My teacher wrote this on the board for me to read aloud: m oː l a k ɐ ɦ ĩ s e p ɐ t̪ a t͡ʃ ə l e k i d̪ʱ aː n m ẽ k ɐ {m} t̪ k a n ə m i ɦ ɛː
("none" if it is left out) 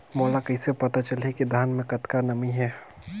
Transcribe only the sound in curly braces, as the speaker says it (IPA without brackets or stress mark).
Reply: none